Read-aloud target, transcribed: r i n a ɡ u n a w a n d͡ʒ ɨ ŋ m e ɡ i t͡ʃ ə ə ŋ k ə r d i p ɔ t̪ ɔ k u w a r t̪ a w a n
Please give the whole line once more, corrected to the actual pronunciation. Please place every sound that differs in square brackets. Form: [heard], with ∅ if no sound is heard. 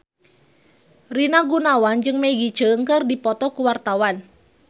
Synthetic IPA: r i n a ɡ u n a w a n d͡ʒ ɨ ŋ m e ɡ i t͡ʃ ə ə ŋ k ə r d i p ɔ t̪ ɔ k u w a r t̪ a w a n